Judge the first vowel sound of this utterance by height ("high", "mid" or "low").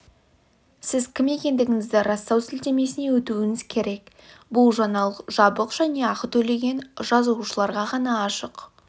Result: high